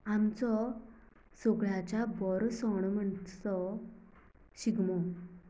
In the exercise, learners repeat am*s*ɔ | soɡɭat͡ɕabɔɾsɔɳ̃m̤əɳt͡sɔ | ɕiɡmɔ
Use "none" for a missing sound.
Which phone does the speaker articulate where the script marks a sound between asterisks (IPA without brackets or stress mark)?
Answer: t͡s